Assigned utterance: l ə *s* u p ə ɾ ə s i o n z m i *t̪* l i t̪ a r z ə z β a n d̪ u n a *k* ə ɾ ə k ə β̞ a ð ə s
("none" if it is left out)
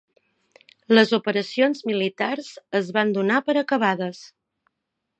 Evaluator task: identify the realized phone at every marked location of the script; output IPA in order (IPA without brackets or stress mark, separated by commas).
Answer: z, none, p